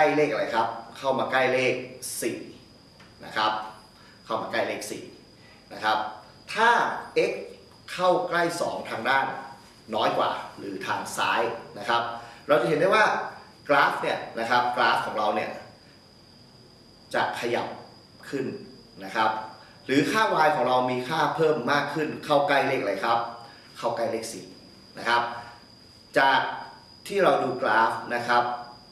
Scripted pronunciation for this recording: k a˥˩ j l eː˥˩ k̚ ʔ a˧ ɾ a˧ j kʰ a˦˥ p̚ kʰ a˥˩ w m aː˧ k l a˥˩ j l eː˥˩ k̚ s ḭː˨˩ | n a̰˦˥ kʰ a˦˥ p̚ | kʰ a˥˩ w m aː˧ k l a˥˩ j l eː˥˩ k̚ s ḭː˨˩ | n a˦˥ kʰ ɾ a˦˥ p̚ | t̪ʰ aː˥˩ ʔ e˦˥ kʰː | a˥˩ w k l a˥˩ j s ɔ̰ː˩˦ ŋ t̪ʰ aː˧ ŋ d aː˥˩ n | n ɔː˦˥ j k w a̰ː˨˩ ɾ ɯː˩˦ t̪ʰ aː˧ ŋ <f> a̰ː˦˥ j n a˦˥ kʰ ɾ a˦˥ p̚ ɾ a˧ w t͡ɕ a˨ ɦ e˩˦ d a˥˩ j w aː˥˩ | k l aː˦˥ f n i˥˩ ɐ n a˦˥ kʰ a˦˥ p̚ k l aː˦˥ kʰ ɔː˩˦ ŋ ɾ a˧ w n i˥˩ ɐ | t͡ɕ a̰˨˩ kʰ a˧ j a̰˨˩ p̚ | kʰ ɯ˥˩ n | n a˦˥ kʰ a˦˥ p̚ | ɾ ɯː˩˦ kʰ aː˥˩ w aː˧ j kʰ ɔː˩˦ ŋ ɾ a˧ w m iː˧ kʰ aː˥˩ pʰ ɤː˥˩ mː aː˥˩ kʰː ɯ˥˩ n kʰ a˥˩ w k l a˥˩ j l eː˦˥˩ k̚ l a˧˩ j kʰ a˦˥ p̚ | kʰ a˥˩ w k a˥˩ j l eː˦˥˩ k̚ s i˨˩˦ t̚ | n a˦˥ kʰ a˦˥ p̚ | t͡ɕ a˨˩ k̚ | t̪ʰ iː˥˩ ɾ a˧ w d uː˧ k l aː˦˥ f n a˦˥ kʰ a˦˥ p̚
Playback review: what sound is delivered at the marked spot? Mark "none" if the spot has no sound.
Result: s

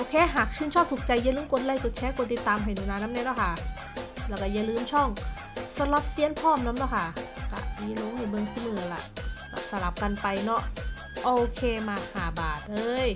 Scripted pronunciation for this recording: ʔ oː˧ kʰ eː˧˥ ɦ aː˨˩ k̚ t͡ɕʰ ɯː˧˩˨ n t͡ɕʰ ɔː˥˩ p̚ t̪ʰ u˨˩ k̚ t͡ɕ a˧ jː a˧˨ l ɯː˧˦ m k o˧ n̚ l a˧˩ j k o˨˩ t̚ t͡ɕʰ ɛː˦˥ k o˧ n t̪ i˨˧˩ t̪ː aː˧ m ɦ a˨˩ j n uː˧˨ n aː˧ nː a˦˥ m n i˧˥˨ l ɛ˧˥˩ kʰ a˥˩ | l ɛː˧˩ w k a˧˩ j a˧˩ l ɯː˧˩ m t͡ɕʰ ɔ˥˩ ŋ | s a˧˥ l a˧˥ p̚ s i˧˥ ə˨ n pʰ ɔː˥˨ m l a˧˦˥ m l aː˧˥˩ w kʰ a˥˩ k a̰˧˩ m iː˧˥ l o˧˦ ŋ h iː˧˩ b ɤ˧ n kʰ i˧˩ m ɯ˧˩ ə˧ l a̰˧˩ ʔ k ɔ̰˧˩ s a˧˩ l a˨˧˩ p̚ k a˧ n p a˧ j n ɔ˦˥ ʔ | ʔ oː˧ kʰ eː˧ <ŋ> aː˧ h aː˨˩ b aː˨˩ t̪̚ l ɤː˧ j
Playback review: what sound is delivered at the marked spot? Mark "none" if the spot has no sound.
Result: m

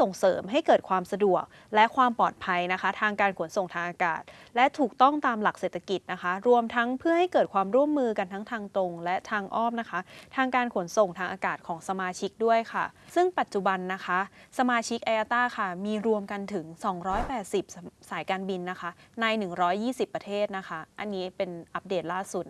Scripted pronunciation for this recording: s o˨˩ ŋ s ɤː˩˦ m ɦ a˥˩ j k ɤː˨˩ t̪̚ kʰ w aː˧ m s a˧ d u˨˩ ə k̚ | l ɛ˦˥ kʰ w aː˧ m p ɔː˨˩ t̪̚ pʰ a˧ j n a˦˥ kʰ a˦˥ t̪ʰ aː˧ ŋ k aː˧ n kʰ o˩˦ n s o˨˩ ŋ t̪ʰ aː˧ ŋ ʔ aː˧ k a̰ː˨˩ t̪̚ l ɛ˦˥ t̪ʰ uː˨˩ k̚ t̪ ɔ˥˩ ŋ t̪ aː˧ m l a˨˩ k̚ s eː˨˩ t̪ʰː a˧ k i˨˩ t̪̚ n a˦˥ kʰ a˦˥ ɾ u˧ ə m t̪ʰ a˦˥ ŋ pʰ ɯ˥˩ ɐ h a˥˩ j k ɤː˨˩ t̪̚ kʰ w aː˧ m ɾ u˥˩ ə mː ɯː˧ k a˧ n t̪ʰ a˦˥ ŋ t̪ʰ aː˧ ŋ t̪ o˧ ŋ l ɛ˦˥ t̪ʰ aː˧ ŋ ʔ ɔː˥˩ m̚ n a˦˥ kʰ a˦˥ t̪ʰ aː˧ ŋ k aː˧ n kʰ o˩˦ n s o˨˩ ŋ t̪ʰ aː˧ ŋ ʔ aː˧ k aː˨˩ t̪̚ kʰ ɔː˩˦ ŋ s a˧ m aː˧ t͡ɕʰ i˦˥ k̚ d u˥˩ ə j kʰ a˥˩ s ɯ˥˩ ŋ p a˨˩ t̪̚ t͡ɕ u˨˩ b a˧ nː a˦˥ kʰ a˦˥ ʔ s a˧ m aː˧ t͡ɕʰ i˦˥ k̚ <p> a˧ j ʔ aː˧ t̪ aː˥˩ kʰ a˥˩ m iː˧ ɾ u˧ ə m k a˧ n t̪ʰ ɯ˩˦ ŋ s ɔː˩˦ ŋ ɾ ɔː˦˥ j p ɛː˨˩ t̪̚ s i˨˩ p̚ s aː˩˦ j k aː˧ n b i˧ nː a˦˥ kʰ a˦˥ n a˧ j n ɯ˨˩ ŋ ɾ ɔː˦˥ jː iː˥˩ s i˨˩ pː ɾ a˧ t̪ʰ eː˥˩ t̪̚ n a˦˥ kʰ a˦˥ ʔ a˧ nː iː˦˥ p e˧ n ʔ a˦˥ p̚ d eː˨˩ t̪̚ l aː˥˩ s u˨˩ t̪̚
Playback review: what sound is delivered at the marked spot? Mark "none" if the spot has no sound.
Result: ʔ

